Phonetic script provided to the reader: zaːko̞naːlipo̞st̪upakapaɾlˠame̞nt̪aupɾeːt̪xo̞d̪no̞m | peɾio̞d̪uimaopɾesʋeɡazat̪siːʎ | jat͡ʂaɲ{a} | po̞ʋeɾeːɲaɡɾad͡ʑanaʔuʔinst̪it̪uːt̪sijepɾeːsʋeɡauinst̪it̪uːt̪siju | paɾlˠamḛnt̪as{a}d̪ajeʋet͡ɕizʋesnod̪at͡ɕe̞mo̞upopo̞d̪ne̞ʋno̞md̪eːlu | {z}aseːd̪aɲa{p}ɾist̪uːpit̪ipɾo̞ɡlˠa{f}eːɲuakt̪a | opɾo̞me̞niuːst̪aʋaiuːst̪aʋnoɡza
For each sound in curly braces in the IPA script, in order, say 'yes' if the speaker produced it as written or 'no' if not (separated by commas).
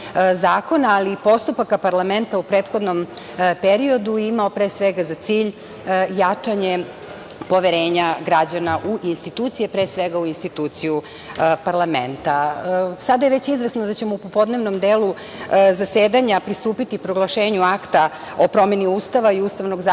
no, yes, yes, yes, no